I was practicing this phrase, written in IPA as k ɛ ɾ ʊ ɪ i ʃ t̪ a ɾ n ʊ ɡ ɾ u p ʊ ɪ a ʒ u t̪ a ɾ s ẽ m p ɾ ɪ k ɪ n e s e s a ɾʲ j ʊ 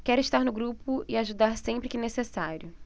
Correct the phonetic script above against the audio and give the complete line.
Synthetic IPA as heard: k ɛ ɾ ʊ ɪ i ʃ t̪ a ɾ n ʊ ɡ ɾ u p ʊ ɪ a ʒ u d̪ a ɾ s ẽ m p ɾ ɪ k ɪ n e s e s a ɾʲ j ʊ